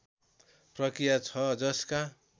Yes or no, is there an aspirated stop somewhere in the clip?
yes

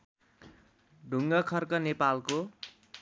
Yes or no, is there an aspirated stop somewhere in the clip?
yes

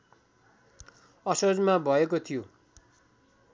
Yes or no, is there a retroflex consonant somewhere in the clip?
no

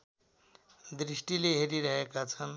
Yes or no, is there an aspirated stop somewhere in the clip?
yes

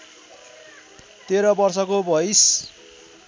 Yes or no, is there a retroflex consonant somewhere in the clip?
no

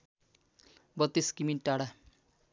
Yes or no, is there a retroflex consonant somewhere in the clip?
yes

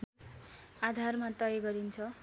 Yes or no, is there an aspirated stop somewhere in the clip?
yes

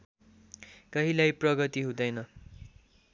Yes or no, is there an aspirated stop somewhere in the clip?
no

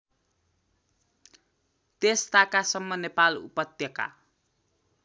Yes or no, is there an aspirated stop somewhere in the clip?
no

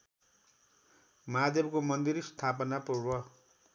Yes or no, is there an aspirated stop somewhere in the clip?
yes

